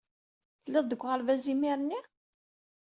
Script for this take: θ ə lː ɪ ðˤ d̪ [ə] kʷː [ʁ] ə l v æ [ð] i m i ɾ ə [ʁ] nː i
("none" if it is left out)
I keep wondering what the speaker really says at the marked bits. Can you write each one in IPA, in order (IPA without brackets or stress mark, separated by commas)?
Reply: ə, ʁ, z, none